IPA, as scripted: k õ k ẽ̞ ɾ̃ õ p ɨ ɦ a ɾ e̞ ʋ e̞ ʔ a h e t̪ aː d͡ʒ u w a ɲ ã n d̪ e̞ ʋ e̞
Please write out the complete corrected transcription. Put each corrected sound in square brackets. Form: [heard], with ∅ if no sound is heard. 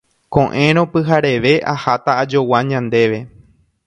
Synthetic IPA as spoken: k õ [ʔ] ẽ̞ ɾ̃ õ p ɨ ɦ a ɾ e̞ ʋ e̞ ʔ a h [a] t̪ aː d͡ʒ [o] w a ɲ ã n d̪ e̞ ʋ e̞